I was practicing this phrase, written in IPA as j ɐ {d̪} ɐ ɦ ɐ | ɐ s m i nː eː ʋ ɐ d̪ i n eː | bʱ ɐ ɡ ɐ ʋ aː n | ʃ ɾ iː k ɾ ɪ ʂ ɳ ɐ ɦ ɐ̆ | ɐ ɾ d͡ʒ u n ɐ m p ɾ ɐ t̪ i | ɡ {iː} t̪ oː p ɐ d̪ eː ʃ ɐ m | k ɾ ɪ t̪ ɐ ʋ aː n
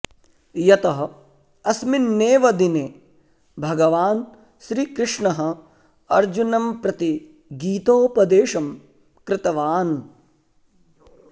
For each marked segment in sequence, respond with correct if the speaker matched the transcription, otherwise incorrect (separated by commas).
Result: incorrect, correct